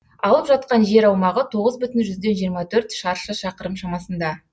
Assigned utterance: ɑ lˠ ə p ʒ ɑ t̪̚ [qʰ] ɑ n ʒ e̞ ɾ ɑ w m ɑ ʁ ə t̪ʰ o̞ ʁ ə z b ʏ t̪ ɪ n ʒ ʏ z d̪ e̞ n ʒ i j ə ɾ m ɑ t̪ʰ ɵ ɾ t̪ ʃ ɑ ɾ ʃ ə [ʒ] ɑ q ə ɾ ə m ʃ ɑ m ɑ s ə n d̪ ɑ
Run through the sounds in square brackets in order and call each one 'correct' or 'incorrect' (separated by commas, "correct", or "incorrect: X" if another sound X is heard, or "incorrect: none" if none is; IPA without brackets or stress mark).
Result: incorrect: q, incorrect: ʃ